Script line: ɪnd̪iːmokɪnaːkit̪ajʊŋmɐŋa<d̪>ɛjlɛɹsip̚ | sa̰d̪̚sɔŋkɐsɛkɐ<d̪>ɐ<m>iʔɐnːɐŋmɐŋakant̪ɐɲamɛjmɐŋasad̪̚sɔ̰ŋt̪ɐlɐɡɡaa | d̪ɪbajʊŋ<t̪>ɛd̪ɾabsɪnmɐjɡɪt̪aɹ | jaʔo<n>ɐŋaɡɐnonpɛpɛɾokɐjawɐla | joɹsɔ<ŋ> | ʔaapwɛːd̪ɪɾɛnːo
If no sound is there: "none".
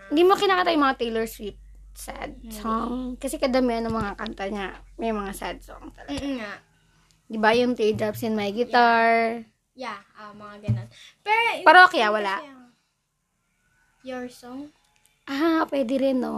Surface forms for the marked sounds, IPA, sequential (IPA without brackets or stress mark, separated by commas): t̪, d̪, m, t̪, m, ŋ